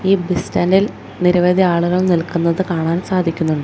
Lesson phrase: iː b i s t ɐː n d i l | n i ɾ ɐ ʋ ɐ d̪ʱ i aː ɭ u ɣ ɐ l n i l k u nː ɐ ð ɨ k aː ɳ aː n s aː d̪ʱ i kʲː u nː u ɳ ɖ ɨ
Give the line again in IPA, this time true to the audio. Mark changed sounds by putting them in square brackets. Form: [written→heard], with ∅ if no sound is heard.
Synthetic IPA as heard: iː b i s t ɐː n d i l | n i ɾ ɐ ʋ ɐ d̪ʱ i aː ɭ u ɣ ɐ [l→ɭ] n i l k u nː ɐ ð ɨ k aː ɳ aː n s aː d̪ʱ i kʲː u nː u ɳ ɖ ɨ